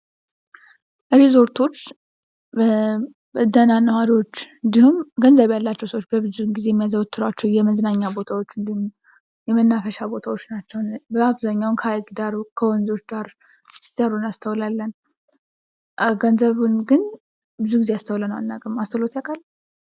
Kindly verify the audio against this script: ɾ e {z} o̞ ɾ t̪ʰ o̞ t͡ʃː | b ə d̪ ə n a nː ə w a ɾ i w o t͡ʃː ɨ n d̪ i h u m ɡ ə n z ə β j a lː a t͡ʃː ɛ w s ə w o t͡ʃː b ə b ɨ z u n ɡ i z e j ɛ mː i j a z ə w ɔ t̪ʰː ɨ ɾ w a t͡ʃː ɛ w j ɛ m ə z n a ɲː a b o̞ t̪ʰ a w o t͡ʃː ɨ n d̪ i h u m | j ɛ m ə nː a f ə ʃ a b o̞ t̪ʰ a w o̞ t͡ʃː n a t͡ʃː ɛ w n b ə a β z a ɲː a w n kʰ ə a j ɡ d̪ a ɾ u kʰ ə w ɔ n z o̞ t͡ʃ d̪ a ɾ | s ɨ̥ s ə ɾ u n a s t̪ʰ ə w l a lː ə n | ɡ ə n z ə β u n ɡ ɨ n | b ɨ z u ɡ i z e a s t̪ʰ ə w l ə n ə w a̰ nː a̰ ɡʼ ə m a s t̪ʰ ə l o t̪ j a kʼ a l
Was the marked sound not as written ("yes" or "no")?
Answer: no